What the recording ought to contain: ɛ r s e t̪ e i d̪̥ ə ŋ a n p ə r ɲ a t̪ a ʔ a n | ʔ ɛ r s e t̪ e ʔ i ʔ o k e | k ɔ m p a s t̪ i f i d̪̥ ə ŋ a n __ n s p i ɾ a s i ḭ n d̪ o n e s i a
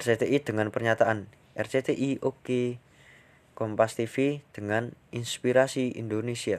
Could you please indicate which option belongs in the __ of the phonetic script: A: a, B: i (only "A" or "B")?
B